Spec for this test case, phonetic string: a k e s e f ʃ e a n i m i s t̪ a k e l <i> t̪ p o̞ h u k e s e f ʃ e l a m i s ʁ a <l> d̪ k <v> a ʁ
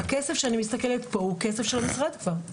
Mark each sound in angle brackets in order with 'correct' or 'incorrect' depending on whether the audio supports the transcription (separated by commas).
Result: incorrect, incorrect, correct